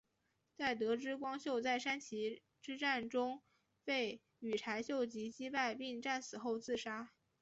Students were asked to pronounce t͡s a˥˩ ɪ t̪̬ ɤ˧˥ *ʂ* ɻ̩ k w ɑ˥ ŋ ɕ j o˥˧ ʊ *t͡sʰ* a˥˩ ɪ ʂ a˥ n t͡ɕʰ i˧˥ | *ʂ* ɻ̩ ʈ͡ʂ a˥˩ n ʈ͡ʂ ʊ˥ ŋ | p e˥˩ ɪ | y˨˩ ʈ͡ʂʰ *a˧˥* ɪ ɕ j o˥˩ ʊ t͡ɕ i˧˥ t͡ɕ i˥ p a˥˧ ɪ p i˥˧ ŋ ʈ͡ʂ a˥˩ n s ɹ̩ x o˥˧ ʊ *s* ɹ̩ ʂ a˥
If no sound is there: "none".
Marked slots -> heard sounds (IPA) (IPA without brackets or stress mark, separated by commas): ʈ͡ʂ, t͡s, ʈ͡ʂ, a˧˥, t͡s